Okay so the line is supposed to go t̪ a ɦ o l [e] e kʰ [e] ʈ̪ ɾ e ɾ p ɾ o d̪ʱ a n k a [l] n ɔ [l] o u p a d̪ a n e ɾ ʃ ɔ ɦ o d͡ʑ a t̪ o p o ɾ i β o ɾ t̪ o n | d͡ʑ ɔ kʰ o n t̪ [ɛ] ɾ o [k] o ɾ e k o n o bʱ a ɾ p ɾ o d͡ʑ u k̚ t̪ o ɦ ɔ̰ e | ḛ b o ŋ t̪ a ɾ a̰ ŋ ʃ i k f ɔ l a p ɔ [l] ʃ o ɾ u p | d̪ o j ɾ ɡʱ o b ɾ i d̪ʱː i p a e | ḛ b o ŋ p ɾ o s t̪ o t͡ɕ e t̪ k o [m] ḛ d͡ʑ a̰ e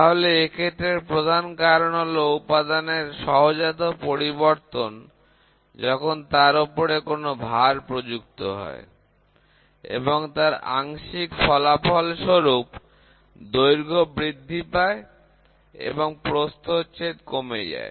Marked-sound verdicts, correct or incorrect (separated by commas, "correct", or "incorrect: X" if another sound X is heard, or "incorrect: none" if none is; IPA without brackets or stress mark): correct, correct, incorrect: ɾ, correct, incorrect: a, incorrect: p, correct, correct